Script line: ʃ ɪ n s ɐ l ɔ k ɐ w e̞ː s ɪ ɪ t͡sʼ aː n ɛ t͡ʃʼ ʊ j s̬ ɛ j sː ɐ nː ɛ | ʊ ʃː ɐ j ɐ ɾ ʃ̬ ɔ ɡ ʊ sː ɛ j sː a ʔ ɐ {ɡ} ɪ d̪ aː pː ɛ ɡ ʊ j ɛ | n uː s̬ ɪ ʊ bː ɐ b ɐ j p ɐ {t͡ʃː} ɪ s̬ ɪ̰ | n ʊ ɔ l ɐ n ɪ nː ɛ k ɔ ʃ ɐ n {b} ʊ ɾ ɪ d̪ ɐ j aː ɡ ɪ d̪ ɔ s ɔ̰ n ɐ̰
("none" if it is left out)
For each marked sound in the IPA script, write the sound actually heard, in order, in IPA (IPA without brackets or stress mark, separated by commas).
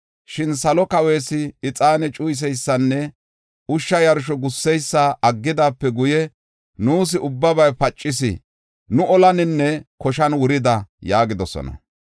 ɡː, t͡ʃʼː, w